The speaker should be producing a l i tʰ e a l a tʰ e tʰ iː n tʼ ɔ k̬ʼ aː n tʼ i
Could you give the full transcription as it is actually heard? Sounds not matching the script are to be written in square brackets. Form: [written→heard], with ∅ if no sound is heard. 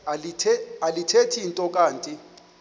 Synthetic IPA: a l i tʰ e a l [a→i] tʰ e tʰ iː n tʼ ɔ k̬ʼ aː n tʼ i